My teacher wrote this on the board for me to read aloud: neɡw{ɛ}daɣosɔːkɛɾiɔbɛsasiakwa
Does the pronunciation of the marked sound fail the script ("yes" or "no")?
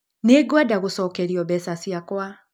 yes